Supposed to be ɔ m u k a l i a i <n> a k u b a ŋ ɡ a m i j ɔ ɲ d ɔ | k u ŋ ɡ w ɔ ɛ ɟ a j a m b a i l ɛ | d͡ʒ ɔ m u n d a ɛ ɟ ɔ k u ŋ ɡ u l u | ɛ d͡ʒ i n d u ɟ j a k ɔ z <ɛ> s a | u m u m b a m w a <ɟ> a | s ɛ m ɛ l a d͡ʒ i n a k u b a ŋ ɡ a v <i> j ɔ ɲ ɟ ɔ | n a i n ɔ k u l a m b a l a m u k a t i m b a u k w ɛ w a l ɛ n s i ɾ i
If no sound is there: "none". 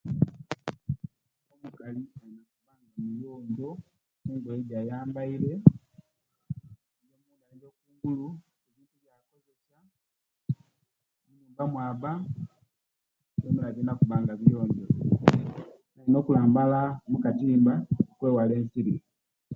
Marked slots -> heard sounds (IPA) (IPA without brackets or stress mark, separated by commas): n, ɛ, b, i